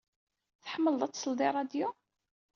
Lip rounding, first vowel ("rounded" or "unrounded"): unrounded